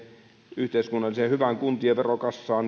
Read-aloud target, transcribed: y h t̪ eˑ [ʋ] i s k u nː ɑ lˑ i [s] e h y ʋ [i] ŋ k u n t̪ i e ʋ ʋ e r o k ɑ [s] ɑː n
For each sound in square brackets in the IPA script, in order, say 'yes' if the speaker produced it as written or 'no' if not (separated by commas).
no, yes, no, no